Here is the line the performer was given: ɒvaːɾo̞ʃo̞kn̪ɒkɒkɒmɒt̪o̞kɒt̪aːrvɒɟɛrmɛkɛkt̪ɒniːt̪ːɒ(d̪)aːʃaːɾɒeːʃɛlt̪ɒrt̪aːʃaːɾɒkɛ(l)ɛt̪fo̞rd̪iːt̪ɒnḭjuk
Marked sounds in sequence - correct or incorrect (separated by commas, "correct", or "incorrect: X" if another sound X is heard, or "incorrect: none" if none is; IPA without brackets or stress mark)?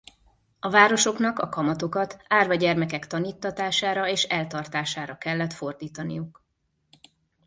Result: incorrect: t̪, incorrect: lː